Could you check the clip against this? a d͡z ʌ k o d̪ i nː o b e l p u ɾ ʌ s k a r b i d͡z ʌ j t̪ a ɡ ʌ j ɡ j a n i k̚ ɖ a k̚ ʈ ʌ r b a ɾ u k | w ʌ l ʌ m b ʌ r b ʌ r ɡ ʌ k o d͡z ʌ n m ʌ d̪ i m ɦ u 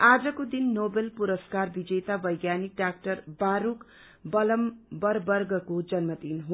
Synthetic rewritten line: a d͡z ʌ k o d̪ i nː o b e l p u ɾ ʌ s k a r b i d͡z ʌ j t̪ a b ʌ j ɡ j a n i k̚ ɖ a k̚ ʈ ʌ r b a ɾ u k | b ʌ l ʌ m b ʌ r b ʌ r ɡ ʌ k o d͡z ʌ n m ʌ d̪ i n ɦ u